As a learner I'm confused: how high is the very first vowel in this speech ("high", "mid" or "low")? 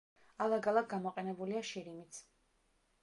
low